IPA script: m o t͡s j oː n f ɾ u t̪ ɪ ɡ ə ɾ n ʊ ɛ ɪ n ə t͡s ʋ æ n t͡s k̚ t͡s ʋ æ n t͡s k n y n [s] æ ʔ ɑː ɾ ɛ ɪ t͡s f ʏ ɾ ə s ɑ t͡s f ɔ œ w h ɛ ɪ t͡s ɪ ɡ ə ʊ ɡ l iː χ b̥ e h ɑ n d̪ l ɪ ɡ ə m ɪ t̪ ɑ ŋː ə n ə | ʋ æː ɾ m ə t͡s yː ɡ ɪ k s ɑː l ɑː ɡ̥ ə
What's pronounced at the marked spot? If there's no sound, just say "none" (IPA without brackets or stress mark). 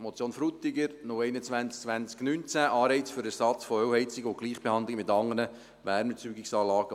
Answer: t͡s